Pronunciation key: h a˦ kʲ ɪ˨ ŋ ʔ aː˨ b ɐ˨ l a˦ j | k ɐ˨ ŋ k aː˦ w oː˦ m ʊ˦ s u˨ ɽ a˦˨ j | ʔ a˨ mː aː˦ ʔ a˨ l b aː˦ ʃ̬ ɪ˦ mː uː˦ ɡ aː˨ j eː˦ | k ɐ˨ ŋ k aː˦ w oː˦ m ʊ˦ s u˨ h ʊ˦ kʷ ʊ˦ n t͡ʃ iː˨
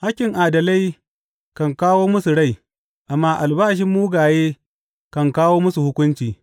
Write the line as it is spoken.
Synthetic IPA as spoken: h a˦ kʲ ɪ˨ ŋ ʔ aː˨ d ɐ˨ l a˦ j | k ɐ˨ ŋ k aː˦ w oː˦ m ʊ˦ s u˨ ɽ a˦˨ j | ʔ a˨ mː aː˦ ʔ a˨ l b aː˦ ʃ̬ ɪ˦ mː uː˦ ɡ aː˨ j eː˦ | k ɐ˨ ŋ k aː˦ w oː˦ m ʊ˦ s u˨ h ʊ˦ kʷ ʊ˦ n t͡ʃ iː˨